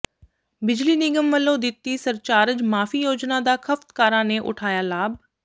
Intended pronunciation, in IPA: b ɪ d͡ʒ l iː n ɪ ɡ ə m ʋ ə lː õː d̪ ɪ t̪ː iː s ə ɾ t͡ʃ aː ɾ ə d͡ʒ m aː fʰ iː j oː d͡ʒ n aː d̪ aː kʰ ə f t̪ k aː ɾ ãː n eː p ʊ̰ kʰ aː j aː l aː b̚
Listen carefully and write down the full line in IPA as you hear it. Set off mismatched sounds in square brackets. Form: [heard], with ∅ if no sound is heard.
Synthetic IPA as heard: b ɪ d͡ʒ l iː n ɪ ɡ ə m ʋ ə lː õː d̪ ɪ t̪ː iː s ə ɾ t͡ʃ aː ɾ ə d͡ʒ m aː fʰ iː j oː d͡ʒ n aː d̪ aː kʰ ə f t̪ k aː ɾ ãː n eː [ʔ] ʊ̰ [ʈʰ] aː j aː l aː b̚